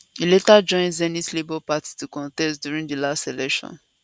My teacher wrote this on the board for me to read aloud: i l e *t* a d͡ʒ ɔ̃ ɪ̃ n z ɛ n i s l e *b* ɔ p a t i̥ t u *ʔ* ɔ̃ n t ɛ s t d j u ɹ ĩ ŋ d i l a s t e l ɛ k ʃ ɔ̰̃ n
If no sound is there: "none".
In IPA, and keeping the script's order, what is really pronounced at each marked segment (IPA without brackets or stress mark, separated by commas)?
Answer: t, b, k